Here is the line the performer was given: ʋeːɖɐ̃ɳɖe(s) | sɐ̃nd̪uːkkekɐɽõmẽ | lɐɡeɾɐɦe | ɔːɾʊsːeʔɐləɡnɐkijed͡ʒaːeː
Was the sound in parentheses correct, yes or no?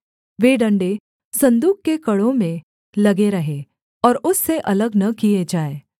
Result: no